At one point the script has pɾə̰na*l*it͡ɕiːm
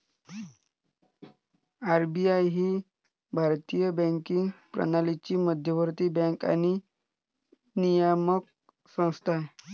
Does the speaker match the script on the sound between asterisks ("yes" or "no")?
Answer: yes